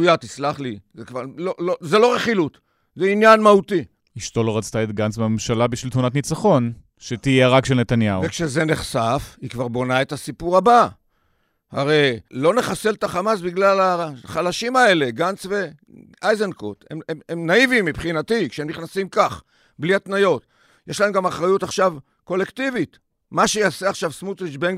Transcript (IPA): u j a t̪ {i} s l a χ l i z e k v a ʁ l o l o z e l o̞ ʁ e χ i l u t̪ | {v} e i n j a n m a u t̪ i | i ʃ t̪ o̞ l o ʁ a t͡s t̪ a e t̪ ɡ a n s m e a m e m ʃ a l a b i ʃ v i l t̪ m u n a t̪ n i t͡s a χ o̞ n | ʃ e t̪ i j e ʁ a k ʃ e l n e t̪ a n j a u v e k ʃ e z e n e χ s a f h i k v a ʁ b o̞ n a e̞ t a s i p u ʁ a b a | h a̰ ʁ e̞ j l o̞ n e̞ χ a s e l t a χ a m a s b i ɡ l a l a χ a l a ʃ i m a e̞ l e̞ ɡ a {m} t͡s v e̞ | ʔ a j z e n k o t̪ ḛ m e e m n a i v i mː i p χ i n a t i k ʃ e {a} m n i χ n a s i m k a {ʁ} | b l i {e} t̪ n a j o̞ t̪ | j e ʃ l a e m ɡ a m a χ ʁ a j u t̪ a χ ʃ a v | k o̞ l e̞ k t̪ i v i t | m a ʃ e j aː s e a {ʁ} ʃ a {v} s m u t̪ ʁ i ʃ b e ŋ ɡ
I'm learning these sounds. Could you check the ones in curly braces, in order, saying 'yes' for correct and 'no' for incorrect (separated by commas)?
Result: yes, no, no, no, no, no, no, yes